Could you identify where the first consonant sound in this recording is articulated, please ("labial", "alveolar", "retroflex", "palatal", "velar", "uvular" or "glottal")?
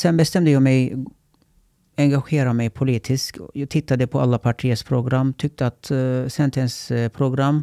alveolar